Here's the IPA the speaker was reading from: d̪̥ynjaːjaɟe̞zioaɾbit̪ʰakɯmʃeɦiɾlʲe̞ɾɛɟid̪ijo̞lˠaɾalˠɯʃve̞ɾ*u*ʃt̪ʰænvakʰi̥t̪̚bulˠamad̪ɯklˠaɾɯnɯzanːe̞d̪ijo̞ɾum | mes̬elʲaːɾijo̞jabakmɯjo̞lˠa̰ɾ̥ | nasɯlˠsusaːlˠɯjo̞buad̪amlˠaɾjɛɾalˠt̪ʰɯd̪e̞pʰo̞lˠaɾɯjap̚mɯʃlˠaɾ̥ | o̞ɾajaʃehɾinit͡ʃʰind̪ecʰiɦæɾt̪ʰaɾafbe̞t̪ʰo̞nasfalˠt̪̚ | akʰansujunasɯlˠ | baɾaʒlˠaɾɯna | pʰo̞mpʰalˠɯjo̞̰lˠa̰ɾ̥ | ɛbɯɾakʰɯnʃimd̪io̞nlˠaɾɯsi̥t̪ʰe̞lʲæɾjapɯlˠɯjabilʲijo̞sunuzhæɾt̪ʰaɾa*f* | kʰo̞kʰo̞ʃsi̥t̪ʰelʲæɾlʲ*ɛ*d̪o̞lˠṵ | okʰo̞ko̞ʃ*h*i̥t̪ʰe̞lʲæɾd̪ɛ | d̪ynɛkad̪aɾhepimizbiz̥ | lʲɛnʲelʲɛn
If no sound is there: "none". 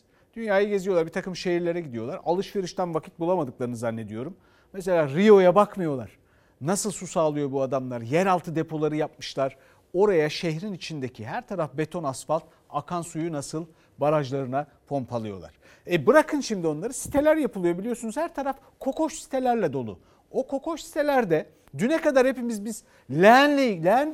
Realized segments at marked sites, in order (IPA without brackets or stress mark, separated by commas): ɯ, f, ɛ, s